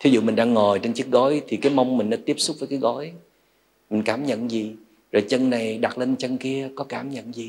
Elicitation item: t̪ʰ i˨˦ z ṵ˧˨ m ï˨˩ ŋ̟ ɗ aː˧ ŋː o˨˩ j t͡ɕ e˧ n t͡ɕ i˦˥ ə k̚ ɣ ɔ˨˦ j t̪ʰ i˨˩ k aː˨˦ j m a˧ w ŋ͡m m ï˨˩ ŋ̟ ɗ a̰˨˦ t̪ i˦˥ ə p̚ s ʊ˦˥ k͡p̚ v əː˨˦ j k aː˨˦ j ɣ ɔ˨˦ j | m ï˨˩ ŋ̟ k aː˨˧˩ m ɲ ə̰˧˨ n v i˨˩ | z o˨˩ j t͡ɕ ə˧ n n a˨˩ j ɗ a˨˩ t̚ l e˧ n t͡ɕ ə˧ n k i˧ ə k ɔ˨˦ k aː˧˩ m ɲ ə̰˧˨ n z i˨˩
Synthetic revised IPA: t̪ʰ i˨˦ z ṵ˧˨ m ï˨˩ ŋ̟ ɗ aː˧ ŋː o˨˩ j t͡ɕ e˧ n t͡ɕ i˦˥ ə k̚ ɣ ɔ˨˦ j t̪ʰ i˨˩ k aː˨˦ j m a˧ w ŋ͡m m ï˨˩ ŋ̟ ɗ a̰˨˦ t̪ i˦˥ ə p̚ s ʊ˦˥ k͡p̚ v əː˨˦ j k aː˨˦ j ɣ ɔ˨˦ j | m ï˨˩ ŋ̟ k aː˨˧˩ m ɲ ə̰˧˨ n z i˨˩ | z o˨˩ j t͡ɕ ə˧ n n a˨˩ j ɗ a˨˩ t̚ l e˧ n t͡ɕ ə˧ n k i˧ ə k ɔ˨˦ k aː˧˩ m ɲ ə̰˧˨ n z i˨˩